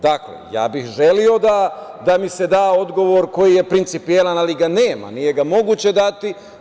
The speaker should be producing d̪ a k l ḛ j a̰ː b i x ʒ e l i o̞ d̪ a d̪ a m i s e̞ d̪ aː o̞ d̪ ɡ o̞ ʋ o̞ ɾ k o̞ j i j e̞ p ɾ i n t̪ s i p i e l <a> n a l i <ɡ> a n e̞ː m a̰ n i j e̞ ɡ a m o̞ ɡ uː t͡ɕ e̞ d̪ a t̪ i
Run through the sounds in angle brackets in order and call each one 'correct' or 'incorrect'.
correct, correct

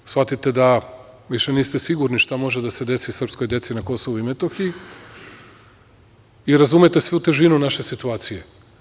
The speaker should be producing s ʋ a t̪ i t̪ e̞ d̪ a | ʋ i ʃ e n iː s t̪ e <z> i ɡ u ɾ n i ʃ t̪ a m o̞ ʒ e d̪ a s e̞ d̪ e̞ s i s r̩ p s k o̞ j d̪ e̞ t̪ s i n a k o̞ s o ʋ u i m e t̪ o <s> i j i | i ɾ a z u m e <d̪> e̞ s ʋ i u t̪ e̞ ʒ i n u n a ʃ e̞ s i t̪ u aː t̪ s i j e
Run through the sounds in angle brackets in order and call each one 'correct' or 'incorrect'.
incorrect, incorrect, incorrect

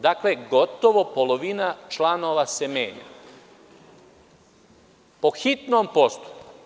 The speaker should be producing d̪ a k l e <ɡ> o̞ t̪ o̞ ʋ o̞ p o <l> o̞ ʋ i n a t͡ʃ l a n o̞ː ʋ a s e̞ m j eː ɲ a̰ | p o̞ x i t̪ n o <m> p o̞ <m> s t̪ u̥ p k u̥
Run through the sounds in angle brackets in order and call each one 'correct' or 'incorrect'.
correct, correct, correct, incorrect

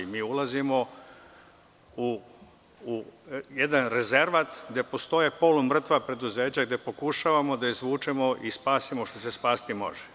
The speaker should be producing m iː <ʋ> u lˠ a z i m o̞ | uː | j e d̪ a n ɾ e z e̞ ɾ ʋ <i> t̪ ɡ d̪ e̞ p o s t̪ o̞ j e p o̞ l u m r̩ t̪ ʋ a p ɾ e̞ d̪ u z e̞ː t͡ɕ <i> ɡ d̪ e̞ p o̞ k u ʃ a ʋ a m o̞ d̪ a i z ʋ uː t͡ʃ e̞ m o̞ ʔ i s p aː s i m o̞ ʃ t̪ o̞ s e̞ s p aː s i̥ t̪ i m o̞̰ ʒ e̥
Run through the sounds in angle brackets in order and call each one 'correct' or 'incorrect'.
incorrect, incorrect, incorrect

